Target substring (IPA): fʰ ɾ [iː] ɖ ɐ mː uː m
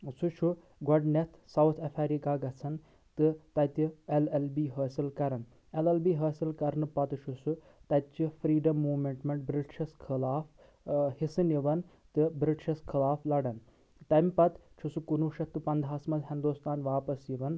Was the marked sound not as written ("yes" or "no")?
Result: no